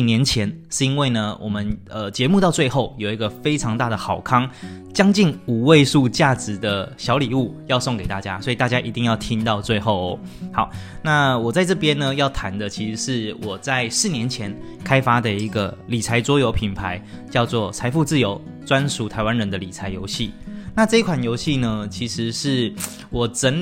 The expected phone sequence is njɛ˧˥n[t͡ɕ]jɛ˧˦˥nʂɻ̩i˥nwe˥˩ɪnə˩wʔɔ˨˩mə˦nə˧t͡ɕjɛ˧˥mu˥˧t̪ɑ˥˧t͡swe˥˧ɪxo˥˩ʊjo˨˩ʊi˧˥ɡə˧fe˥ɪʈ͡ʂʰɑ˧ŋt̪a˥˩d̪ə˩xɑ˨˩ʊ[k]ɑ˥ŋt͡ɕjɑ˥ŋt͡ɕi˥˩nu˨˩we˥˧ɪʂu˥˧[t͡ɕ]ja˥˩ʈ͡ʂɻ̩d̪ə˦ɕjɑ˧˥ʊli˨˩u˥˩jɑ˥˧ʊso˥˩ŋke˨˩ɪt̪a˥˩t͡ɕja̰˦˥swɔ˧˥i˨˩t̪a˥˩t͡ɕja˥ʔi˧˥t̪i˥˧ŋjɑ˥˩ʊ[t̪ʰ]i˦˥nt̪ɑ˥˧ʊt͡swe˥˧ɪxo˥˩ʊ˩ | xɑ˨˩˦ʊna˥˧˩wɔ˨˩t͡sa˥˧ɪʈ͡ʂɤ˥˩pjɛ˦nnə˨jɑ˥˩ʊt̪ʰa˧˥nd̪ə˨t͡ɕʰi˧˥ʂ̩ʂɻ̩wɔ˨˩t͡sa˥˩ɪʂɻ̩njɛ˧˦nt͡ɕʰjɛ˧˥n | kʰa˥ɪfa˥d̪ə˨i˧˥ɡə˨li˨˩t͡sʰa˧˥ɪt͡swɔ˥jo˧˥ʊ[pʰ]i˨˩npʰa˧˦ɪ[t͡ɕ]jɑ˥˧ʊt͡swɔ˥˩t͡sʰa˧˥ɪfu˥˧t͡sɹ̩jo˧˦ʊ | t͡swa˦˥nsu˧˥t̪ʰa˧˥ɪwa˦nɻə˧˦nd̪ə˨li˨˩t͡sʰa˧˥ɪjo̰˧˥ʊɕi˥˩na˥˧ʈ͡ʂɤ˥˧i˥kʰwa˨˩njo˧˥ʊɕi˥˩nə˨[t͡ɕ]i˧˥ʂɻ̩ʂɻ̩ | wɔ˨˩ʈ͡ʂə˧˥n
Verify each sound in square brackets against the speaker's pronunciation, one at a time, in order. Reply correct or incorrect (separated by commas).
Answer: incorrect, incorrect, correct, correct, correct, correct, incorrect